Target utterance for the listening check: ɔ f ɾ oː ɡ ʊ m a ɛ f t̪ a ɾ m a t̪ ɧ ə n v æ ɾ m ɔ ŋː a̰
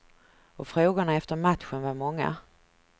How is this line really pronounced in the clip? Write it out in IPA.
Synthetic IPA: ɔ f ɾ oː ɡ ʊ ɳ a ɛ f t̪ ə ɾ m a t̪ ɧ ə n v a ɾ m ɔ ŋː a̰